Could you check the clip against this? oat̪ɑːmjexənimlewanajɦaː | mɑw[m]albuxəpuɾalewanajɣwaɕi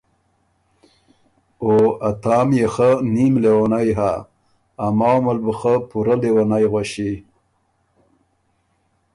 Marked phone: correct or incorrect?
correct